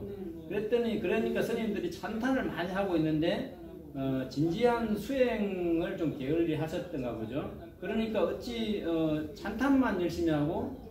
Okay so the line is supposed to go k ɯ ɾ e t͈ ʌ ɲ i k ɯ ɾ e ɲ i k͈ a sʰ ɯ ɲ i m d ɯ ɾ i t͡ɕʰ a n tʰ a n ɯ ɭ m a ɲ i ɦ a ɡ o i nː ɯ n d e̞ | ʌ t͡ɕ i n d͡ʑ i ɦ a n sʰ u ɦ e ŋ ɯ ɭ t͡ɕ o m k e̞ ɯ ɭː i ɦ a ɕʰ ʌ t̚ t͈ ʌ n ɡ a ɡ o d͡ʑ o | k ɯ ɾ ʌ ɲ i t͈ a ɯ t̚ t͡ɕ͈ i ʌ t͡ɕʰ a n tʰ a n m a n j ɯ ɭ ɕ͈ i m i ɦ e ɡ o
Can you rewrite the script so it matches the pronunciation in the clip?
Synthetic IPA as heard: k ɯ ɾ e t͈ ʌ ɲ i k ɯ ɾ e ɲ i k͈ a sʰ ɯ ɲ i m d ɯ ɾ i t͡ɕʰ a n tʰ a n ɯ ɭ m a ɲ i ɦ a ɡ o i nː ɯ n d e̞ | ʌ t͡ɕ i n d͡ʑ i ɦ a n sʰ u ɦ e ŋ ɯ ɭ t͡ɕ o m k e̞ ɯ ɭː i ɦ a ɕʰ ʌ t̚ t͈ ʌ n ɡ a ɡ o d͡ʑ o | k ɯ ɾ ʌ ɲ i k͈ a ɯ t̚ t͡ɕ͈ i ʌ t͡ɕʰ a n tʰ a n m a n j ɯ ɭ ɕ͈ i m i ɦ a ɡ o